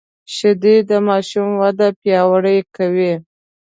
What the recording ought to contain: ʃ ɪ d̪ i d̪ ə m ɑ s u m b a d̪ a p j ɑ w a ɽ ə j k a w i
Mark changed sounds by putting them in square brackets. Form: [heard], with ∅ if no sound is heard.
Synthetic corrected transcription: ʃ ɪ d̪ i d̪ ə m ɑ [ʃ] u m [w] a d̪ a p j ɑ w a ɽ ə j k a w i